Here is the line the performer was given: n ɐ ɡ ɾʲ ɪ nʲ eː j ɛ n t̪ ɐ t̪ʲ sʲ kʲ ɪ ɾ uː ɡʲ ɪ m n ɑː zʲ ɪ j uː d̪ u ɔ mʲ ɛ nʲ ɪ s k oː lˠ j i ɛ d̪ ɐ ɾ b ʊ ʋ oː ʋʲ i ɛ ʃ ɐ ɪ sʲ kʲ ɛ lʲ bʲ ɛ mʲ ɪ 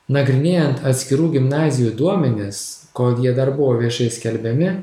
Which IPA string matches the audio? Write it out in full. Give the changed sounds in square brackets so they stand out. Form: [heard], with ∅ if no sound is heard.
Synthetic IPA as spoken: n ɐ ɡ ɾʲ ɪ nʲ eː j ɛ n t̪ ɐ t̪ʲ sʲ kʲ ɪ ɾ uː ɡʲ ɪ m n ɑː zʲ ɪ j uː d̪ u ɔ mʲ ɛ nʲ ɪ s k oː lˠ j i ɛ d̪ ɐ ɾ b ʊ ʋ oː ʋʲ i ɛ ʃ ɐ ɪ sʲ kʲ ɛ lʲ bʲ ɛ mʲ ɪ